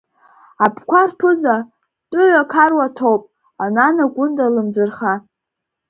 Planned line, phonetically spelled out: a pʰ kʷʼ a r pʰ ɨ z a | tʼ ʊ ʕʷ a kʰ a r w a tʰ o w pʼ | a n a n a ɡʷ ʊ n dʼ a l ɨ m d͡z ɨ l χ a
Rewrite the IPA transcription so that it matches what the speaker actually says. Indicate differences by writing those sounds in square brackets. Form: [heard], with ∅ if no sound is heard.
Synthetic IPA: a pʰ [kʷ] a r pʰ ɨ z a | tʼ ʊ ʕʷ a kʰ a r w a tʰ o w pʼ | a n a n a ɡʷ ʊ n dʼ a l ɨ m d͡z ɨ [r] χ a